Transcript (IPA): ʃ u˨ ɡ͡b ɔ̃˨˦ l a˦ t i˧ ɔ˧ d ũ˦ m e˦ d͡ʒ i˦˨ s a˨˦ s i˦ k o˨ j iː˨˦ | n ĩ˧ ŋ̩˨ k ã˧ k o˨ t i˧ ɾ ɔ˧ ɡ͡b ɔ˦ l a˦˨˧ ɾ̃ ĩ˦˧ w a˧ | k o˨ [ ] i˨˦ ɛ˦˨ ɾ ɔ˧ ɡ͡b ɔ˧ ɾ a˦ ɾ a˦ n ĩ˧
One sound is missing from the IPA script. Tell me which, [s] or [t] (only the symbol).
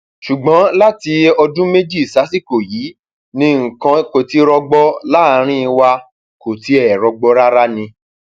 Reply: t